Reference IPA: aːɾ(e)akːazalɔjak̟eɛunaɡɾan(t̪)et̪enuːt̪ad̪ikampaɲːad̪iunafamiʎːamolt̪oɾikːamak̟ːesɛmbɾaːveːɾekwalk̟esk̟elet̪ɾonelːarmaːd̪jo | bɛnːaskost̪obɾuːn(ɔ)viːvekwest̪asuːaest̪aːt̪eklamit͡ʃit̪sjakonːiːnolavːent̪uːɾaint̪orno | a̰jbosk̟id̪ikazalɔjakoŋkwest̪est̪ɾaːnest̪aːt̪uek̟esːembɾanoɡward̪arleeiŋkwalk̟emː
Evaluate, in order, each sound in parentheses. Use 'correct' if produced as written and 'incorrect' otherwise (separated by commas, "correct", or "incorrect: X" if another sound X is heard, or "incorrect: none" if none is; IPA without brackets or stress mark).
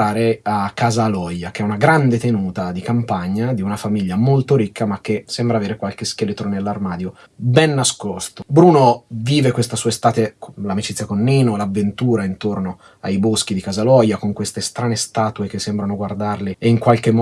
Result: correct, incorrect: d̪, incorrect: o